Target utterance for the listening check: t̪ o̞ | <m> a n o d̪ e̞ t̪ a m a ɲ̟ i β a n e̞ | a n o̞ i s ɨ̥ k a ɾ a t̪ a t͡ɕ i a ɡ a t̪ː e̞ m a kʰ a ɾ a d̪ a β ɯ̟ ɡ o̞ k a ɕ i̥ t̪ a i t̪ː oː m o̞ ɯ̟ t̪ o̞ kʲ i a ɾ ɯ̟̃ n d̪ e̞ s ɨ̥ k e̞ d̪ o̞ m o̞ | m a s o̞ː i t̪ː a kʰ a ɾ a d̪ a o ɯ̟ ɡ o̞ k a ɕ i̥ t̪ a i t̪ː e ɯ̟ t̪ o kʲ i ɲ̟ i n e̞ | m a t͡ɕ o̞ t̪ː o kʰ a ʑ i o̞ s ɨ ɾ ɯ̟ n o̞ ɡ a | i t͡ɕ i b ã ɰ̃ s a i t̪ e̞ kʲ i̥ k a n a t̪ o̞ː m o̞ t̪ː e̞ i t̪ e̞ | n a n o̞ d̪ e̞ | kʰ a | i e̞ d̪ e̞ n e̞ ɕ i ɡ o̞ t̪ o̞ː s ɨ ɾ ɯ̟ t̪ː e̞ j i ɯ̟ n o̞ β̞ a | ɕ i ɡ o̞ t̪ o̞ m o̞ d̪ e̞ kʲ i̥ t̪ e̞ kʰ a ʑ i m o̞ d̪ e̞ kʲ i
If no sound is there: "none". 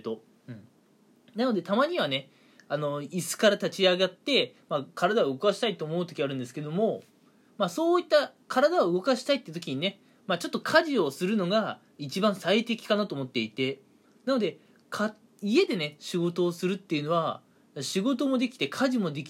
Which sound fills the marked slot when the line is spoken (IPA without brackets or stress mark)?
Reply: n